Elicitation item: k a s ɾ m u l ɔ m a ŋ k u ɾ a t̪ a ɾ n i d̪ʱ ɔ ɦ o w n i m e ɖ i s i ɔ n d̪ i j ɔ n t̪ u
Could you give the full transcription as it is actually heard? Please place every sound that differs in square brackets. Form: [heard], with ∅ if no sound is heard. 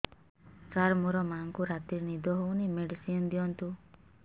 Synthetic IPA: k a [∅] ɾ m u [ɾ] ɔ m a ŋ k u ɾ a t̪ [i] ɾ n i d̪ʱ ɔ ɦ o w n i m e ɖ i s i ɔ n d̪ i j ɔ n t̪ u